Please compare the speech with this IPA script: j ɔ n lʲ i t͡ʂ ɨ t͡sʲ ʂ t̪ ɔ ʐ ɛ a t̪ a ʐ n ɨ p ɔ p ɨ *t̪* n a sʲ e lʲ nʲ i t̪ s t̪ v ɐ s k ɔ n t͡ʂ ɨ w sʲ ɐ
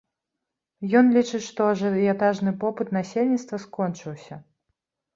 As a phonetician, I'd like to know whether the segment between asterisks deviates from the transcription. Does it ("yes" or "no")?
no